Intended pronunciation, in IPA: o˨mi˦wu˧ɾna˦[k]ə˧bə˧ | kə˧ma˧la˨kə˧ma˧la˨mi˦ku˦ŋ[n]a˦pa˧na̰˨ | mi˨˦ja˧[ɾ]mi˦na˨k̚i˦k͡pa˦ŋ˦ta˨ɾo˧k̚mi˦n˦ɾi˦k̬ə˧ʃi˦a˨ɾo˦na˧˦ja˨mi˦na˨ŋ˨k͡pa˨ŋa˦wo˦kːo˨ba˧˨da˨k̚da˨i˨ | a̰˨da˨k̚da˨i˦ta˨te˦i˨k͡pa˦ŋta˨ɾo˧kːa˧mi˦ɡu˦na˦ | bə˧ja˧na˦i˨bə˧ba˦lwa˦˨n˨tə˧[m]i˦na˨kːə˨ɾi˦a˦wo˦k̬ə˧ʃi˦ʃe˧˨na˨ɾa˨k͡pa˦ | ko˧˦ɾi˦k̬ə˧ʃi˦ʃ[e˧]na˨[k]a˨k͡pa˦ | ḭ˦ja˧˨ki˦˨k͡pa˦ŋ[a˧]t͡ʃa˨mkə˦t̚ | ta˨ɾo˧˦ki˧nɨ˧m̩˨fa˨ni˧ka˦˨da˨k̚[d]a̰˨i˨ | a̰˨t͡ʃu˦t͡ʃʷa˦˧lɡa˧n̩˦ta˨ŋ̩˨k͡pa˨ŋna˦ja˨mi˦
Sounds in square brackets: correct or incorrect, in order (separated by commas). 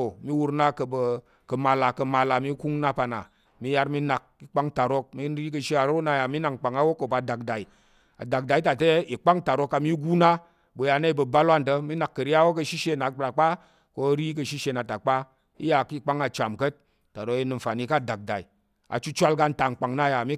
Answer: correct, correct, correct, correct, correct, incorrect, correct, correct